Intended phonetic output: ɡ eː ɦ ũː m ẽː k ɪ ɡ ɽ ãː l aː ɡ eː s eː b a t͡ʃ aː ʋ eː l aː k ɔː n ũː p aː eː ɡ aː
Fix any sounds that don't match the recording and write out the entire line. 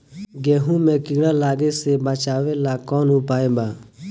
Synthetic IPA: ɡ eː ɦ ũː m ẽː k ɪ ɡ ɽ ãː l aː ɡ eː s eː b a t͡ʃ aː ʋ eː l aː k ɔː n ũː p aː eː b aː